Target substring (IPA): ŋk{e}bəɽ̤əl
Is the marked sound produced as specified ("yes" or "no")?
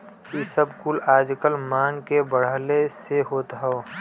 yes